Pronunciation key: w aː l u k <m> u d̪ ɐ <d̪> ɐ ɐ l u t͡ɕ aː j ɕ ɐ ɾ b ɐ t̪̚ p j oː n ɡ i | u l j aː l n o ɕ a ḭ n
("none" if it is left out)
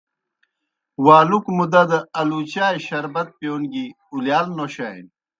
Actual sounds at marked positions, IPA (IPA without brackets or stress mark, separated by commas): m, d̪